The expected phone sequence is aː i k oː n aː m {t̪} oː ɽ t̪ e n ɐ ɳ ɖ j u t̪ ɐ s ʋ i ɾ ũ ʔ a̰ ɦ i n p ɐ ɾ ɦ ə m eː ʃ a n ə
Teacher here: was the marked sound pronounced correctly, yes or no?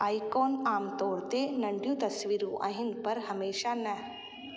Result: yes